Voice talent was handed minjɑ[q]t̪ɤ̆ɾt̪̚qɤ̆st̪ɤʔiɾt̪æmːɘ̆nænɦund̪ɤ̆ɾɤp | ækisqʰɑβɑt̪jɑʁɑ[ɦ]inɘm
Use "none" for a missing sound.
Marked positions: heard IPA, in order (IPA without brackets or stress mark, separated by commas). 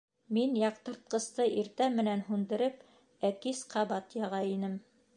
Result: q, none